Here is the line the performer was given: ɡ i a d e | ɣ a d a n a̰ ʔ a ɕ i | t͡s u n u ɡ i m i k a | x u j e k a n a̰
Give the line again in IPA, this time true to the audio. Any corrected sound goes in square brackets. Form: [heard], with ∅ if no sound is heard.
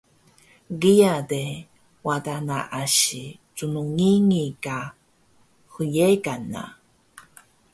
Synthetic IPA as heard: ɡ i a d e | [w] a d a n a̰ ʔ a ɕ i | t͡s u n u [ŋ] i [ŋ] i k a | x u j e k a n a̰